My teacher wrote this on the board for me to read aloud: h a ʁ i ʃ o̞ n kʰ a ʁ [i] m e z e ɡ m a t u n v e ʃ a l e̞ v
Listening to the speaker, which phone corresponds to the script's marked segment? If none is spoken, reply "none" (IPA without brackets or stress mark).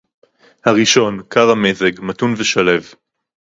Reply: a